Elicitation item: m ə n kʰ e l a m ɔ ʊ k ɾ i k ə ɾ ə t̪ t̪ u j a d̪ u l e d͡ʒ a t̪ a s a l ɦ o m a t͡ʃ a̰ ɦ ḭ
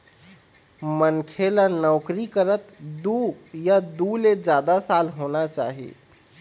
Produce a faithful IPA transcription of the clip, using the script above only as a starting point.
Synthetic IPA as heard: m ə n kʰ e l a n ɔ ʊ k ɾ i k ə ɾ ə t̪ d̪ u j a d̪ u l e d͡ʒ a d̪ a s a l ɦ o n a t͡ʃ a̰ ɦ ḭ

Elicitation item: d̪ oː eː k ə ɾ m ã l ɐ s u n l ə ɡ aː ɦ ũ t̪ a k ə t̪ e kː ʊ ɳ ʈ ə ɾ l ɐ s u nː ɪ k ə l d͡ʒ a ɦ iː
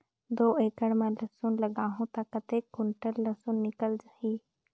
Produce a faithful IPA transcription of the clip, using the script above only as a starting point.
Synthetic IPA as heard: d̪ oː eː k ə ɽ m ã l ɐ s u n l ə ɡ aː ɦ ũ t̪ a k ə t̪ e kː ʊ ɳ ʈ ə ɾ l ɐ s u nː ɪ k ə l d͡ʒ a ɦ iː

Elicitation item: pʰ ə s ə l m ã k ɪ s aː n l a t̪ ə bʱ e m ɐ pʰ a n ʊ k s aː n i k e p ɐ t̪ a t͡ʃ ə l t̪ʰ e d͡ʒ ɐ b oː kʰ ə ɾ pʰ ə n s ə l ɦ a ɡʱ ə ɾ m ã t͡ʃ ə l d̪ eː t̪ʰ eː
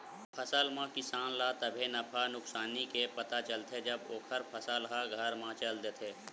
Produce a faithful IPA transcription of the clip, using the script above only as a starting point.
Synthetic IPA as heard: pʰ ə s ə l m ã k ɪ s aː n l a t̪ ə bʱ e n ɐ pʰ a n ʊ k s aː n i k e p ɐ t̪ a t͡ʃ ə l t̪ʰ e d͡ʒ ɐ b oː kʰ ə ɾ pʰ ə s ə l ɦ a ɡʱ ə ɾ m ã t͡ʃ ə l d̪ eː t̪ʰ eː

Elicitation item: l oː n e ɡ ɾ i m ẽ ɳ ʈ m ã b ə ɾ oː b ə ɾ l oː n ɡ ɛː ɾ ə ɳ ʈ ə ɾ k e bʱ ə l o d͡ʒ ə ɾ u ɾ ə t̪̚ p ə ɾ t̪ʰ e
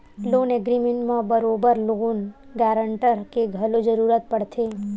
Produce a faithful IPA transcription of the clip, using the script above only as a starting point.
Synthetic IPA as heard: l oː n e ɡ ɾ i m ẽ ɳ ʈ m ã b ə ɾ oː b ə ɾ l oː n ɡ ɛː ɾ ə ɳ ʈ ə ɾ k e ɡʱ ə l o d͡ʒ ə ɾ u ɾ ə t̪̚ p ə ɽ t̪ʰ e

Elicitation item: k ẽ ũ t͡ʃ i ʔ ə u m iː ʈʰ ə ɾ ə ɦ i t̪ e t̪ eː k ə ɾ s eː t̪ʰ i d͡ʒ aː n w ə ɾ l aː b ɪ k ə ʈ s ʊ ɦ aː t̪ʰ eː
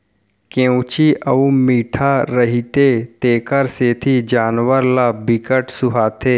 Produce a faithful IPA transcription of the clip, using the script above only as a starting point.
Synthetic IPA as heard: k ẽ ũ t͡ʃ i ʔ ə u m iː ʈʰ a ɾ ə ɦ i t̪ e t̪ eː k ə ɾ s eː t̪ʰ i d͡ʒ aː n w ə ɾ l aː b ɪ k ə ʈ s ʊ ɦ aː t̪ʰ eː

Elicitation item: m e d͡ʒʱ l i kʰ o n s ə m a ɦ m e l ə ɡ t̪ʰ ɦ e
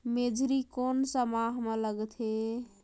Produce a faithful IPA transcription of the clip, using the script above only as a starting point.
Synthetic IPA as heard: m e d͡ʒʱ ɾ i k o n s ə m a ɦ m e l ə ɡ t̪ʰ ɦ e

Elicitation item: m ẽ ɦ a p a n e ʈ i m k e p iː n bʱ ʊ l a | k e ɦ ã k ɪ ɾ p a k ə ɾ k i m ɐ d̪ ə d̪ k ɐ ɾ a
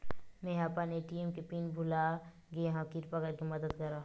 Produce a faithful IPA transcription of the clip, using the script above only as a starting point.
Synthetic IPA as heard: m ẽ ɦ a p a n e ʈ i m k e p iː n bʱ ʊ l a | ɡ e ɦ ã k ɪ ɾ p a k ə ɾ k i m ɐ d̪ ə d̪ k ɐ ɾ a

